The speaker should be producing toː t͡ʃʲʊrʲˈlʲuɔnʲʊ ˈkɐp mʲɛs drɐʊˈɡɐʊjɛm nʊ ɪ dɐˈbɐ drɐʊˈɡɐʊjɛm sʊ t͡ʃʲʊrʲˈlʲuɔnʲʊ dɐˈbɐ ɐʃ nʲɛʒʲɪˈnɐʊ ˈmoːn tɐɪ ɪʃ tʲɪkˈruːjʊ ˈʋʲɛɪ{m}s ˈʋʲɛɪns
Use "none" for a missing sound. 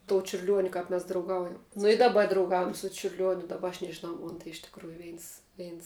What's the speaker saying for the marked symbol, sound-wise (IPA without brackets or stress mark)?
n